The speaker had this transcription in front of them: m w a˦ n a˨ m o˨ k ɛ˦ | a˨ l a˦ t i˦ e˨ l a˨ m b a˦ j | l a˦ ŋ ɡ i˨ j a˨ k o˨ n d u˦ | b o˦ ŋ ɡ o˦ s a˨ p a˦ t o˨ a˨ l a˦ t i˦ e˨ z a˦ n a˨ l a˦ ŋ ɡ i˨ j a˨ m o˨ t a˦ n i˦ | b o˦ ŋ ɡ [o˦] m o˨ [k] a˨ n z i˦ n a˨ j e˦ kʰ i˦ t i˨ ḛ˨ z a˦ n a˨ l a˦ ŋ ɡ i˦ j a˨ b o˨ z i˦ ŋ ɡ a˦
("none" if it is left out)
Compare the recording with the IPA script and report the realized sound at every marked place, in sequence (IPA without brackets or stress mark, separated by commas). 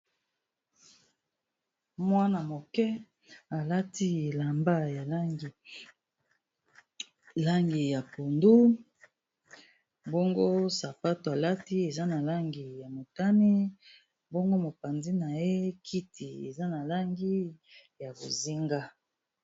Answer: o˦, p